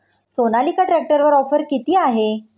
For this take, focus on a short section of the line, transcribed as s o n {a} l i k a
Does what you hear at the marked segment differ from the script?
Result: no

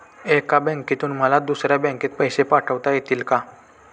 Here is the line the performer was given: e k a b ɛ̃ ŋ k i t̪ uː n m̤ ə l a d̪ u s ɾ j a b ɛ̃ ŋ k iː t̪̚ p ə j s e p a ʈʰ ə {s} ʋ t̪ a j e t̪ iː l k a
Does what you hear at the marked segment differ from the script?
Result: yes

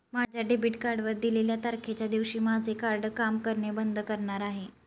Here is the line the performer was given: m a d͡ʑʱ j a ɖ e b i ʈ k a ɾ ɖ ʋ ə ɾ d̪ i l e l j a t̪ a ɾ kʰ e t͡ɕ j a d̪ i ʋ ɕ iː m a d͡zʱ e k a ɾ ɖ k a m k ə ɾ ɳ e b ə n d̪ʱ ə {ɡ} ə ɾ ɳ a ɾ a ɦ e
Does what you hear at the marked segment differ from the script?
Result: yes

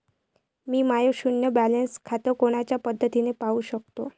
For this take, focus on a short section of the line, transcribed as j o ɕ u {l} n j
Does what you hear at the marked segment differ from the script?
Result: yes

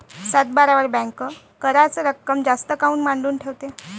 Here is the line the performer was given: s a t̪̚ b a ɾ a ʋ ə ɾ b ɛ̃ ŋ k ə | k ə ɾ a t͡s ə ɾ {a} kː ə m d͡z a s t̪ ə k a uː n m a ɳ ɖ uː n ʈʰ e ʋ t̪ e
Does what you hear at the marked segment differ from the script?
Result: yes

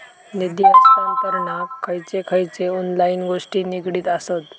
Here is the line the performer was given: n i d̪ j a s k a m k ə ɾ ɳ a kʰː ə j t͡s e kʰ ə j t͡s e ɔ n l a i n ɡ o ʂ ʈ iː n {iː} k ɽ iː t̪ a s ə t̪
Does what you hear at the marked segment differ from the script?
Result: yes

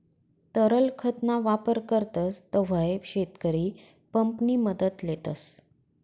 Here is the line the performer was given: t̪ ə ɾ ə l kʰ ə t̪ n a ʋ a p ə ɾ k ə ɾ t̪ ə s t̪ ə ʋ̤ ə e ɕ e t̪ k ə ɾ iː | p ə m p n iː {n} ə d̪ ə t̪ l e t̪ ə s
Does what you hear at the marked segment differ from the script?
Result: yes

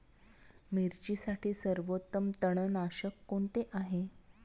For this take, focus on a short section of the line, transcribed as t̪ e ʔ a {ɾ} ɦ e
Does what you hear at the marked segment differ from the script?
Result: yes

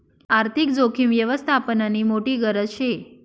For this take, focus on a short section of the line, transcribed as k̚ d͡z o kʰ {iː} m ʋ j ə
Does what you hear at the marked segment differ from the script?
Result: yes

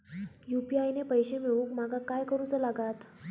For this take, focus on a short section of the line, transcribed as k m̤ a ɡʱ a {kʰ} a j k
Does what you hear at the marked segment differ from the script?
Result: yes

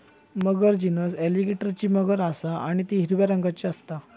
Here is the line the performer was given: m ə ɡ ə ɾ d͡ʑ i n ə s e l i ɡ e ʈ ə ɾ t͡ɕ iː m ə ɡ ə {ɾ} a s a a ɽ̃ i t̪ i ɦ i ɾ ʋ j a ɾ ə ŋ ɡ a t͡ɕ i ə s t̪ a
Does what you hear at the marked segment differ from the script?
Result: no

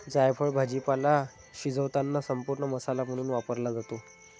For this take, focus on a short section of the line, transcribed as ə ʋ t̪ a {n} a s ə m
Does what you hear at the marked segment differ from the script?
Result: yes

